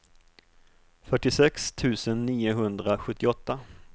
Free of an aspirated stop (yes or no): no